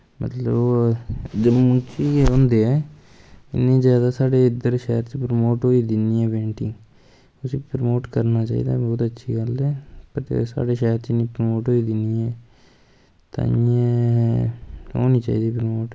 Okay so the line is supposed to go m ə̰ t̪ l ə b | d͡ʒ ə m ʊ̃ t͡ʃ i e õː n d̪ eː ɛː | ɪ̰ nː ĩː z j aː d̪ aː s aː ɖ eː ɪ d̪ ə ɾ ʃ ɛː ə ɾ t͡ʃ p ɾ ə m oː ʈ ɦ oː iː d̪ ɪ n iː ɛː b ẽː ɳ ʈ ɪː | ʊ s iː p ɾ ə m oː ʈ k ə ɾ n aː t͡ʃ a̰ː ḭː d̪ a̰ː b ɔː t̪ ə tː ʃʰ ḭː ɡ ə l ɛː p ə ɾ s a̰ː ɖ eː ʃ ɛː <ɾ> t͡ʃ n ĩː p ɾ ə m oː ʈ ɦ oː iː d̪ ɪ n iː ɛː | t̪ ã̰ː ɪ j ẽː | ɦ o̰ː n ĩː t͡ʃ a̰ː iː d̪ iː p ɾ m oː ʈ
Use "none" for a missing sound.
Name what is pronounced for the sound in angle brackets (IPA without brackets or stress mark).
ɾ